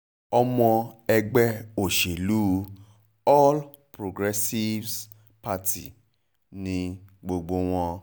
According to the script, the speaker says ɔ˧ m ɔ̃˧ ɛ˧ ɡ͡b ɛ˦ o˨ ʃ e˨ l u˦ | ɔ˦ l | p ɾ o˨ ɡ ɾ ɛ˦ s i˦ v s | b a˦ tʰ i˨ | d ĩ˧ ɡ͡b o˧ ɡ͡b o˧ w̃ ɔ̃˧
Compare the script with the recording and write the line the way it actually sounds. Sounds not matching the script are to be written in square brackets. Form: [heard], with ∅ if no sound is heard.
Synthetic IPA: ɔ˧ m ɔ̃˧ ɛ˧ ɡ͡b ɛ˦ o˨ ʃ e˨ l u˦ | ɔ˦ l | p ɾ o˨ ɡ ɾ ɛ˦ s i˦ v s | [p] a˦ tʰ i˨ | [n] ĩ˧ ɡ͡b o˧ ɡ͡b o˧ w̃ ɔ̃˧

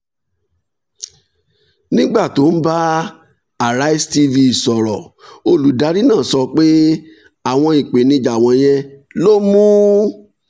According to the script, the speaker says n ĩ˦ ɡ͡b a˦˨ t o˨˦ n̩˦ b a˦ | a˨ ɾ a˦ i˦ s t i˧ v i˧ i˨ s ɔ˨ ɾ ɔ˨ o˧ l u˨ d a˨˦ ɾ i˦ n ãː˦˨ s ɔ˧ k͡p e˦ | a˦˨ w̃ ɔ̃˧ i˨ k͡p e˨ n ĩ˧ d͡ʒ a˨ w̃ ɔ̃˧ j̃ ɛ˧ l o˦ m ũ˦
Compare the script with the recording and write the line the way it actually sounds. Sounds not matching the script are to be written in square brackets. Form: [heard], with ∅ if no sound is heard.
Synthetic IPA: n ĩ˦ ɡ͡b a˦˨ t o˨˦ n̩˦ b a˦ | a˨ ɾ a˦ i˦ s t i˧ v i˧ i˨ s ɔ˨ ɾ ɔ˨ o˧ l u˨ d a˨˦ ɾ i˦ n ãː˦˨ s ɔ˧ k͡p e˦ | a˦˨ w̃ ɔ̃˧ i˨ k͡p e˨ n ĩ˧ d͡ʒ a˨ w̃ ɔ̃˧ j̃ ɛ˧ l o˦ m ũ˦

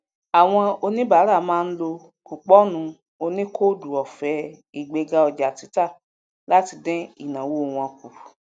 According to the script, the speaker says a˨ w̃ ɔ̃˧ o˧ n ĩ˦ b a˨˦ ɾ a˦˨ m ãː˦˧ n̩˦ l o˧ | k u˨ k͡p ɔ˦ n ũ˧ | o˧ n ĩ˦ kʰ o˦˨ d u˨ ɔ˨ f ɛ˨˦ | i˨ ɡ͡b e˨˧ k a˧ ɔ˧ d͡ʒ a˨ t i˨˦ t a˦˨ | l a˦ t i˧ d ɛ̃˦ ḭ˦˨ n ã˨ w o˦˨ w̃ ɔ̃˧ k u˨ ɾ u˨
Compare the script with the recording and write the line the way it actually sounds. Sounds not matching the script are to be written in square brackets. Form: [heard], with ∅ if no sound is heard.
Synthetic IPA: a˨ w̃ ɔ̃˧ o˧ n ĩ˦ b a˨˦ ɾ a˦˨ m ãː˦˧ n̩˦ l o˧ | k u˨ k͡p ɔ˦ n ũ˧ | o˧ n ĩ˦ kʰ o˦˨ d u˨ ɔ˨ f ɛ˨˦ | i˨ ɡ͡b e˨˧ [ɡ] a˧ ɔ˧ d͡ʒ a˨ t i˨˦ t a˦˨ | l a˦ t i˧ d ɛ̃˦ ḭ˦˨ n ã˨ w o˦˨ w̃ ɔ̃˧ k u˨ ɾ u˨

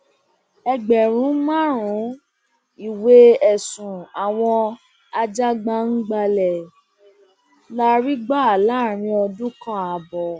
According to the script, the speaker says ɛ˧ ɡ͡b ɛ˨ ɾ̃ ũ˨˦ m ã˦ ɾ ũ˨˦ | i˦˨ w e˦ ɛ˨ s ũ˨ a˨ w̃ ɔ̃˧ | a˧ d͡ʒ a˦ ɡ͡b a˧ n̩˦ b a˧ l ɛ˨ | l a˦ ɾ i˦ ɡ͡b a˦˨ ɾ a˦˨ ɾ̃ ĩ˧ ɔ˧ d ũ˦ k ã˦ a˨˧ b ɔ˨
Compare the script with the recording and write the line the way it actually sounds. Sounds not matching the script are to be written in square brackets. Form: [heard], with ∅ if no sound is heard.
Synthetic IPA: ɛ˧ ɡ͡b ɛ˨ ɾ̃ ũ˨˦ m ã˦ ɾ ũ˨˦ | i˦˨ w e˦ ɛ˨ s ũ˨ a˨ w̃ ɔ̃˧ | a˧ d͡ʒ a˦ ɡ͡b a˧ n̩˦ [ɡ͡b] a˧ l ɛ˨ | l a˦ ɾ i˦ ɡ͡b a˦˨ [l] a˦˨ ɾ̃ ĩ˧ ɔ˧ d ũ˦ k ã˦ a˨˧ b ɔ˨

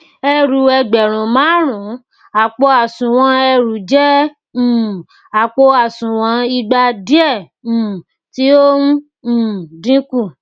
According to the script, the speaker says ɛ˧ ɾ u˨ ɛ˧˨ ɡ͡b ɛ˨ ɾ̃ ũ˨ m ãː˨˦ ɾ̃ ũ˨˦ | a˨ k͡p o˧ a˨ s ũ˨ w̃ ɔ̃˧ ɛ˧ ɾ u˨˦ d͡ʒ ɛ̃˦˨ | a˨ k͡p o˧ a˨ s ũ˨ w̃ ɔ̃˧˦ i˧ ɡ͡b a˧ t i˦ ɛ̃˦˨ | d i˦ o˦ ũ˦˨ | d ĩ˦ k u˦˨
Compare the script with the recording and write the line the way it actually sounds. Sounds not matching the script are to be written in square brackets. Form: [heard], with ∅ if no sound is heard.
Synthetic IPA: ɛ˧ ɾ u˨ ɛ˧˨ ɡ͡b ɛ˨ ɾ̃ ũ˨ m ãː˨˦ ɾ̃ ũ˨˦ | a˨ k͡p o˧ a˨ s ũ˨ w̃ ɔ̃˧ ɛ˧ ɾ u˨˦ d͡ʒ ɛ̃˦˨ | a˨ k͡p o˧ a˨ s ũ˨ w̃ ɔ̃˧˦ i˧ ɡ͡b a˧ [d] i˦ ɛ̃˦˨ | [t] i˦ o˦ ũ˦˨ | d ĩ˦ k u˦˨

